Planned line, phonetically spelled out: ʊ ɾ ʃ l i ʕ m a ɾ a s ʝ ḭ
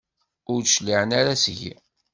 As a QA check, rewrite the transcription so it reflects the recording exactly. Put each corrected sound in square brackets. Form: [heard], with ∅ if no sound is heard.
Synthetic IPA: ʊ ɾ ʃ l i ʕ [n] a ɾ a s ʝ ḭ